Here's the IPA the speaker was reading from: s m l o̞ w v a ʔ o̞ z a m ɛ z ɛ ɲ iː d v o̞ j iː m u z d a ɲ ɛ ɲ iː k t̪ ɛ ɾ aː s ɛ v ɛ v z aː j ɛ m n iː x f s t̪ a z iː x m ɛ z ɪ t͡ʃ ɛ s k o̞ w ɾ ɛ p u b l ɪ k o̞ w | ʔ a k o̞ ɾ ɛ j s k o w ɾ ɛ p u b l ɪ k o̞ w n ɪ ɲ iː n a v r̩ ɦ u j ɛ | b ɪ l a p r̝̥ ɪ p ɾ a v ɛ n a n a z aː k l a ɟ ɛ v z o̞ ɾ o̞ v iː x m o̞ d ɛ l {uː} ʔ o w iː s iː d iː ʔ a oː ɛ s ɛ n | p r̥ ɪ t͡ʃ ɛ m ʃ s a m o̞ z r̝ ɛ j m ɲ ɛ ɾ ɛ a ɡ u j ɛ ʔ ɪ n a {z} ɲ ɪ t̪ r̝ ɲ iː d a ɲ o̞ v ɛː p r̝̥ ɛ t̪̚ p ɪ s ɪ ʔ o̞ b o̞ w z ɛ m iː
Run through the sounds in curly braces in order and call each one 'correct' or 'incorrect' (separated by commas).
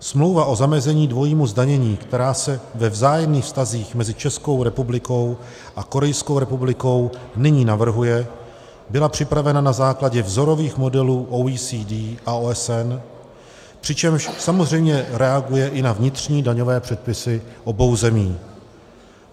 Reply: correct, incorrect